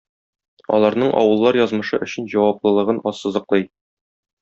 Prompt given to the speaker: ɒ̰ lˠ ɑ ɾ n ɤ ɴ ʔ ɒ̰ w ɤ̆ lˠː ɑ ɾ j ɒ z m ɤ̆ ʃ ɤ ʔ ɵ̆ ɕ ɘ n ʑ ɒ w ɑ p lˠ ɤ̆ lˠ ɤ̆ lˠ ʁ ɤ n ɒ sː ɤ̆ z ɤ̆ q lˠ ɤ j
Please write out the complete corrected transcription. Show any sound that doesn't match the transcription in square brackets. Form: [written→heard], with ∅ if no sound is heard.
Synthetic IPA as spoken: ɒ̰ lˠ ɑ ɾ n ɤ ɴ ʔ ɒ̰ w ɤ̆ lˠː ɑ ɾ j ɒ z m ɤ̆ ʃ ɤ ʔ ɵ̆ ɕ ɘ n ʑ ɒ w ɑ p lˠ ɤ̆ lˠ ɤ̆ [lˠ→∅] ʁ ɤ n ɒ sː ɤ̆ z ɤ̆ q lˠ ɤ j